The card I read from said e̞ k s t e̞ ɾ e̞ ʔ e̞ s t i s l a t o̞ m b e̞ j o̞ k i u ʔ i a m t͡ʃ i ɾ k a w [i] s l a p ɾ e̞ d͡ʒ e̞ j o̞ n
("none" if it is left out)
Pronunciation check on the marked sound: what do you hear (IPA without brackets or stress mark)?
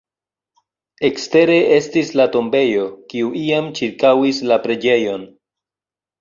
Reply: i